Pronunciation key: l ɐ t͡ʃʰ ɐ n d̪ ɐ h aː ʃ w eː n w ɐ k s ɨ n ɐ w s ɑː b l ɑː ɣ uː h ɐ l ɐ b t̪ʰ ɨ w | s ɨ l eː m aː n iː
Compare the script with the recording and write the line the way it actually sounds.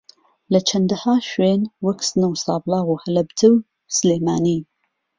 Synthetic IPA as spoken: l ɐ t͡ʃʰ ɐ n d̪ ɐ h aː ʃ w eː n w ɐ k s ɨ n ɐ w s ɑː b l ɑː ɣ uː h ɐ l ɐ b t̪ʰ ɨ w | s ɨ l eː m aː n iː